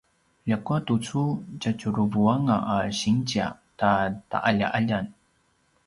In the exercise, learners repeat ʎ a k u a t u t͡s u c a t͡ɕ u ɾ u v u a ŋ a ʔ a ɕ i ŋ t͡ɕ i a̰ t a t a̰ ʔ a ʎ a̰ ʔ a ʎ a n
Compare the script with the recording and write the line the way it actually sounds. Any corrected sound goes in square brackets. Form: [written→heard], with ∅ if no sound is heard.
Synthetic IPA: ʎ a k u a t u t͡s u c a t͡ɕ u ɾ u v u a ŋ a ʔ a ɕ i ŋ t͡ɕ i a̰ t a t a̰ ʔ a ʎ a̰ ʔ a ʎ a n